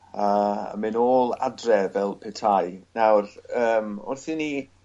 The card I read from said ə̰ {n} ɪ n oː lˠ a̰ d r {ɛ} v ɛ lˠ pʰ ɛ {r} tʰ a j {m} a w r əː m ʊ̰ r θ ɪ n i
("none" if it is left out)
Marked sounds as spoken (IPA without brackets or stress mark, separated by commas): m, ɛ, none, n